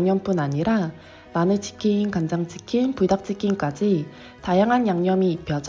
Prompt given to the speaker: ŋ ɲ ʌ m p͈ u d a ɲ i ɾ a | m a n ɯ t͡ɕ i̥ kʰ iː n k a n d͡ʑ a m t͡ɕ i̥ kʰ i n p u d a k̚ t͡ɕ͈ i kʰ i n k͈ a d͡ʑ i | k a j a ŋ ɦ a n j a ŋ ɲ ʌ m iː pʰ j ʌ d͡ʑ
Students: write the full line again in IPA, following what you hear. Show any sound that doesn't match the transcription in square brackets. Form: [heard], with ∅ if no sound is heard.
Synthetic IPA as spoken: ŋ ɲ ʌ m p͈ u [n] a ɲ i ɾ a | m a n ɯ t͡ɕ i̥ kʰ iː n k a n d͡ʑ a [ŋ] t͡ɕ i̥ kʰ i n p u d a k̚ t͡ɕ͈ i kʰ i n k͈ a d͡ʑ i | [t] a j a ŋ ɦ a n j a ŋ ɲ ʌ m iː pʰ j ʌ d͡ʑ